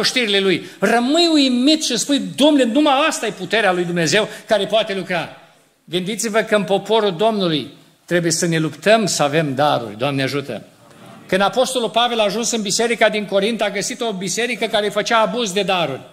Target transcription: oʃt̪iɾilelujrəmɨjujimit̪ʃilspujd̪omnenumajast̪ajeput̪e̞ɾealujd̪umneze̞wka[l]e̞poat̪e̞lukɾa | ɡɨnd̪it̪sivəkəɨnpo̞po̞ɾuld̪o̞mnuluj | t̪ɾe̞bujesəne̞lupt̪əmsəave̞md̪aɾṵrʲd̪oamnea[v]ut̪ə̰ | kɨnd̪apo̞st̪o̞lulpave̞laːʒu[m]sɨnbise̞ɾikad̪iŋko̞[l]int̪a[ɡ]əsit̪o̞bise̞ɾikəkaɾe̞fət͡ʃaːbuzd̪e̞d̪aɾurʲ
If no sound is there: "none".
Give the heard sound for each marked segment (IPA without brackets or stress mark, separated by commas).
ɾ, ʒ, n, ɾ, ɡ